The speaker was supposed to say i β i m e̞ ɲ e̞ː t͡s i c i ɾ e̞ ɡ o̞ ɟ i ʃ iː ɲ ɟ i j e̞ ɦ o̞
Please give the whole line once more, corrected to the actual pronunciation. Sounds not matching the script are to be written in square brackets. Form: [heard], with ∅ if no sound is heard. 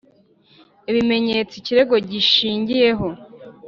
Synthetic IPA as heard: i β i m e̞ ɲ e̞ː t͡s i c i ɾ e̞ ɡ o̞ ɟ i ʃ iː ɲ ɟ i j e̞ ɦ o̞